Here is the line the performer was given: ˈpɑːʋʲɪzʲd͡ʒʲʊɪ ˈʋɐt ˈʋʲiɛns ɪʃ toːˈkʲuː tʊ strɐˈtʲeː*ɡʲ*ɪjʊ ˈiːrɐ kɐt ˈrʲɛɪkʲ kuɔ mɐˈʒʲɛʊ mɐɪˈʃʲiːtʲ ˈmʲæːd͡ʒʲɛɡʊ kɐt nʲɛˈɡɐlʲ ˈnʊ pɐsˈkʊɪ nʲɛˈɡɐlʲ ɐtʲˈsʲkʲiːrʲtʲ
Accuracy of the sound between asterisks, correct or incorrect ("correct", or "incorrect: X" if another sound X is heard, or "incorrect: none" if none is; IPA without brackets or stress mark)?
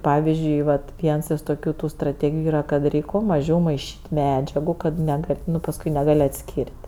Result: correct